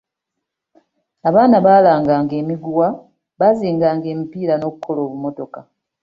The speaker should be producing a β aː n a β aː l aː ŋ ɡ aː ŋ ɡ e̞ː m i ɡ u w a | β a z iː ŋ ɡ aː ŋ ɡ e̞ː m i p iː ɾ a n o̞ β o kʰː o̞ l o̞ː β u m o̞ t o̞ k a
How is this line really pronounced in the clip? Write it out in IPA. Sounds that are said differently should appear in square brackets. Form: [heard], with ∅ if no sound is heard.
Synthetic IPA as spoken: a β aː n a β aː l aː ŋ ɡ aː ŋ ɡ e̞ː m i ɡ u w a | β a z iː ŋ ɡ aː ŋ ɡ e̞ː m i p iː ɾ a n o̞ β [u] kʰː o̞ l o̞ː β u m o̞ t o̞ k a